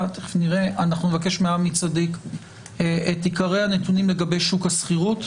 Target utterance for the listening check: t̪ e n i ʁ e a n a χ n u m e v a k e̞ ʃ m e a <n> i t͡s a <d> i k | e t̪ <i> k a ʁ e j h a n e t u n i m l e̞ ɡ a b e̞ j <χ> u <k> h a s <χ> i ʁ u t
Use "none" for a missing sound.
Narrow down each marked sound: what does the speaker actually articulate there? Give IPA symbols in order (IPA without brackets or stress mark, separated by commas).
m, d, i, ʃ, k, χ